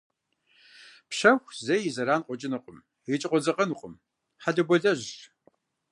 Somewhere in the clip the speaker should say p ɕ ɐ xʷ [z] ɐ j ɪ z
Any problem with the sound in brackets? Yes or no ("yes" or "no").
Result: no